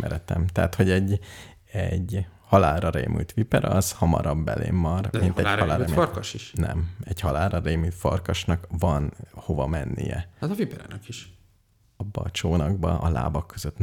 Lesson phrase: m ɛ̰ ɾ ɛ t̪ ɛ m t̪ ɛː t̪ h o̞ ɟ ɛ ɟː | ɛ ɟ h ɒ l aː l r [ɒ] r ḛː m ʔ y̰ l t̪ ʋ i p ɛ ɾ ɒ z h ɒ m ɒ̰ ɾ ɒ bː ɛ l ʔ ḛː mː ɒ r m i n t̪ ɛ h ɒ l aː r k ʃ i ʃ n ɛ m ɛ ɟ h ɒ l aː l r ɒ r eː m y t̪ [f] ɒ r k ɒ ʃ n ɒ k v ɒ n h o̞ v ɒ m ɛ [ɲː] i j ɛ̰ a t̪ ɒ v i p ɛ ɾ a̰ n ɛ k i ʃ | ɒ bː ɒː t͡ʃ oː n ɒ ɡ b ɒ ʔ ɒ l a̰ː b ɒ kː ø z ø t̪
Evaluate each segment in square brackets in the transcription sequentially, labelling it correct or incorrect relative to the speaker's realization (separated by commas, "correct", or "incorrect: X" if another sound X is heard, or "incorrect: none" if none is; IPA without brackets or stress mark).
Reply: correct, correct, incorrect: nː